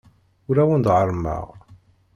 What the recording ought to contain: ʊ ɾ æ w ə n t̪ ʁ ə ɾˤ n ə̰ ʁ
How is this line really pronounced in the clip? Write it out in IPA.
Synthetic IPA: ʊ ɾ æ w ə n d̪ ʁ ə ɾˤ m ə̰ ʁ